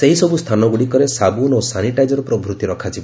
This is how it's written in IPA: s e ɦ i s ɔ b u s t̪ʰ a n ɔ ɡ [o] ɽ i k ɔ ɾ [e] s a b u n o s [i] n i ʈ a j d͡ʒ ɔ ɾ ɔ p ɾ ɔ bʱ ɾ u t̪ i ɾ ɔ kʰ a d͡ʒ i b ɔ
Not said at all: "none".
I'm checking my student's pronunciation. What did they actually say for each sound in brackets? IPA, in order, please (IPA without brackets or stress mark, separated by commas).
u, e, a